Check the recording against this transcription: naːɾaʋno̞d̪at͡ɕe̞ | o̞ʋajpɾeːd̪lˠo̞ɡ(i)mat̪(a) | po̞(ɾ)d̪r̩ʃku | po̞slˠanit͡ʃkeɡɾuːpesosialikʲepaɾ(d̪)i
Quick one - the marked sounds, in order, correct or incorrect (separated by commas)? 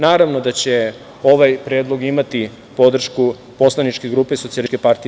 correct, incorrect, incorrect, incorrect